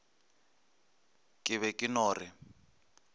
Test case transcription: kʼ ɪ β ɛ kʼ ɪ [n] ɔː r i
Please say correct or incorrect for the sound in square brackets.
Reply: correct